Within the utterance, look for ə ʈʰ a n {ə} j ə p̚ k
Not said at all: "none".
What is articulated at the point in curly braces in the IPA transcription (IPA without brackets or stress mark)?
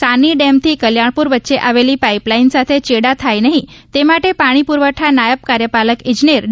a